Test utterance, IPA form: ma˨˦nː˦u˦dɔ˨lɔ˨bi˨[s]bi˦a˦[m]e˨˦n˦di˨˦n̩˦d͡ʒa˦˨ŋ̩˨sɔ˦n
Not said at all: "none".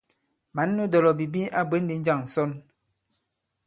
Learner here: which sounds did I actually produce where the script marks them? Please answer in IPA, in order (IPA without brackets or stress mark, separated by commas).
none, b